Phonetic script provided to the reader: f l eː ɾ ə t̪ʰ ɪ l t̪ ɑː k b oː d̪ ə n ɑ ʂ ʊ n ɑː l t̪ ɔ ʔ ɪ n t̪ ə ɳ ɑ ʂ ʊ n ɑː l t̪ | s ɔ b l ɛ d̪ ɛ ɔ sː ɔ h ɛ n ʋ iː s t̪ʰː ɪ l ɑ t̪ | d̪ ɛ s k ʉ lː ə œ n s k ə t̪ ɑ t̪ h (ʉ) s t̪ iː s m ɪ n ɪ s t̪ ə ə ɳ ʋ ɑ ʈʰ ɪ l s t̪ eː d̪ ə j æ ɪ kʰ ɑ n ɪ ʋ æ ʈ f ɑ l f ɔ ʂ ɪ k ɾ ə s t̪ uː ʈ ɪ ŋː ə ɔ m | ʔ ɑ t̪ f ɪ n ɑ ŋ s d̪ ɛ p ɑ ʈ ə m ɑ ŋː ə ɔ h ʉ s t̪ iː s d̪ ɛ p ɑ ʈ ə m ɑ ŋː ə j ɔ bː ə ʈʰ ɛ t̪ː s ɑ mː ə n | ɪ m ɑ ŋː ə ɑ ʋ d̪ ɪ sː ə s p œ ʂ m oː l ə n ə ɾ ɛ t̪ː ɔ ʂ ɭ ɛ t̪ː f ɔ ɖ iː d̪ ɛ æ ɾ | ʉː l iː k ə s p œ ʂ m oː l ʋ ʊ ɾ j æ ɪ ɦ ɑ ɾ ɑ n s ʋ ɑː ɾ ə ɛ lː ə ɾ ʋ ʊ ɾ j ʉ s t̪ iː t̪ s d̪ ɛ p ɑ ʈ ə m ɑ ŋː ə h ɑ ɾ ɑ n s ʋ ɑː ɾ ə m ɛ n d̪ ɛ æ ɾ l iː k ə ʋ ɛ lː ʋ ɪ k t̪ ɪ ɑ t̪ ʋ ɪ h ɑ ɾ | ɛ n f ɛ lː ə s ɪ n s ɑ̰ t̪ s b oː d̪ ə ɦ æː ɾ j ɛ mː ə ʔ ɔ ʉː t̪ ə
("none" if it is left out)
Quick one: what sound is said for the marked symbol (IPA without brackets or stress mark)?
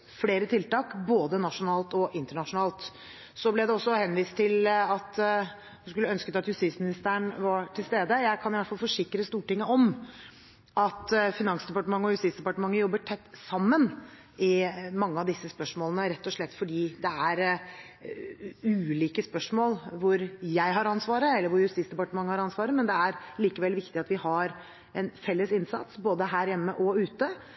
ʉ